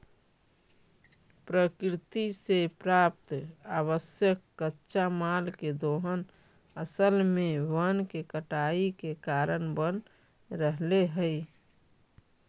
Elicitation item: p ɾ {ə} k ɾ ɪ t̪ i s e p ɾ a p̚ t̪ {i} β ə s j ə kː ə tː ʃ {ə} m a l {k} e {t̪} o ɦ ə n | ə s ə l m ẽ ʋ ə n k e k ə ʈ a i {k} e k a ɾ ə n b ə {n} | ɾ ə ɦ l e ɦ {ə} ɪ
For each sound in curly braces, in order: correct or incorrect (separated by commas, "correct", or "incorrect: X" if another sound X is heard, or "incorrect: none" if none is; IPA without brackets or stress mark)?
correct, incorrect: a, incorrect: a, correct, incorrect: d̪, correct, correct, correct